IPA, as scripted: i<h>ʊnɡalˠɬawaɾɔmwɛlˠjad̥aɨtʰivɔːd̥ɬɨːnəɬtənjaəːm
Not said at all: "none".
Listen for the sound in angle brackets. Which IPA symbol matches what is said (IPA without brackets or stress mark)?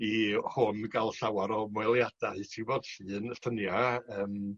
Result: h